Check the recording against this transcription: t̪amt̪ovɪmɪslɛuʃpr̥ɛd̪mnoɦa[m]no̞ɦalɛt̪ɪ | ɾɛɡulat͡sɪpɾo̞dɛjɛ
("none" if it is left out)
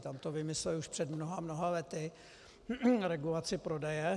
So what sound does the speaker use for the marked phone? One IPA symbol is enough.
m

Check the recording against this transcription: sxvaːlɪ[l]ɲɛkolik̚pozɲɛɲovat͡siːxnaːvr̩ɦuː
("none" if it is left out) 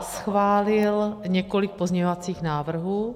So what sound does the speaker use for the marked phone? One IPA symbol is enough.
l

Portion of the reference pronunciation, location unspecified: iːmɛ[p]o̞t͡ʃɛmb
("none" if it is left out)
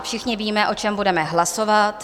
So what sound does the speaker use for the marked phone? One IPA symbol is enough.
ʔ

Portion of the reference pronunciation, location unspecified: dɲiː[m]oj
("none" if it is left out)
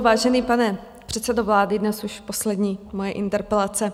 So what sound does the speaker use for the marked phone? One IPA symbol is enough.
m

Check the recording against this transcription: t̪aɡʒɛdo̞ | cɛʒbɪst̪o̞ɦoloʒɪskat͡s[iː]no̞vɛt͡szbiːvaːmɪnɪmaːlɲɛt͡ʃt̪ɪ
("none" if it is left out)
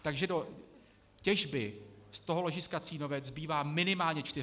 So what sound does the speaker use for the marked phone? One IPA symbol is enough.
iː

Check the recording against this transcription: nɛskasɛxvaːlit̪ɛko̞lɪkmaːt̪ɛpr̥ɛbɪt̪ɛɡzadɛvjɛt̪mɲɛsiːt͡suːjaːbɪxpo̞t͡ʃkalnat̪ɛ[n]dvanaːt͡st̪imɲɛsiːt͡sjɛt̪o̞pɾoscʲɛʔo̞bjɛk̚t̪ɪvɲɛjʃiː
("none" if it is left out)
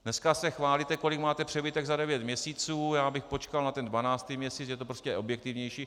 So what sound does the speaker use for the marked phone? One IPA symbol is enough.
n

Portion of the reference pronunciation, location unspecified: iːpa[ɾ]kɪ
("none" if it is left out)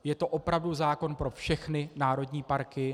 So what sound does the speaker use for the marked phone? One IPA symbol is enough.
ɾ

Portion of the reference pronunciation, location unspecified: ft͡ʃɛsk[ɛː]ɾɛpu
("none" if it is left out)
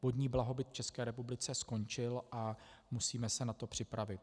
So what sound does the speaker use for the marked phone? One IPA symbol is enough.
ɛː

